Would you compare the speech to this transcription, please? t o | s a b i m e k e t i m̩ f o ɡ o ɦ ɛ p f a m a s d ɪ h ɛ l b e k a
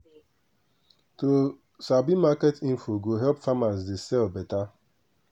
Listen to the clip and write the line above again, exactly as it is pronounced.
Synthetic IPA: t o | s a b i m a k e t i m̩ f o ɡ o ɦ ɛ p f a m a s d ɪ s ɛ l b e t a